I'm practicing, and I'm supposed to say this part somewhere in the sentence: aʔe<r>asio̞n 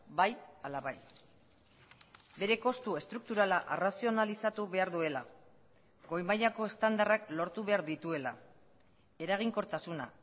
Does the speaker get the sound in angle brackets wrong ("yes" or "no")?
no